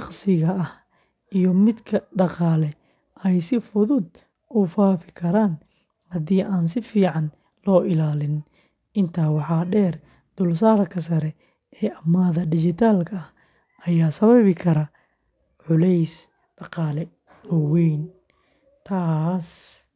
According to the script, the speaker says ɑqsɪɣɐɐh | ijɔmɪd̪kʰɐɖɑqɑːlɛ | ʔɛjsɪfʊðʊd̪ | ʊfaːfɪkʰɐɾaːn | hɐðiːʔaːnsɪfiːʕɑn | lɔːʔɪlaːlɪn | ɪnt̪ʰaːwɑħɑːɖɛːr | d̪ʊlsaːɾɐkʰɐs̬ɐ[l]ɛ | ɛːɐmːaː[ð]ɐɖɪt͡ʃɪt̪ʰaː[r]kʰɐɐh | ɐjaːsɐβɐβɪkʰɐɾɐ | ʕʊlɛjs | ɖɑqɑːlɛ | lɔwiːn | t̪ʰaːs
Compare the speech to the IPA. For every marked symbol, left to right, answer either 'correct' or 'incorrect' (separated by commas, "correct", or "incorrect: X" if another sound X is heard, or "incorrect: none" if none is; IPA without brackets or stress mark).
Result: incorrect: ɾ, correct, incorrect: l